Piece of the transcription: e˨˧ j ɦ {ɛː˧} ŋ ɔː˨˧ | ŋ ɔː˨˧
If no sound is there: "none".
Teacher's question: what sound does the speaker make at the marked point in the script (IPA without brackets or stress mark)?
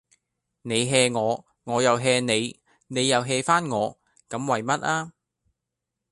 ɛː˧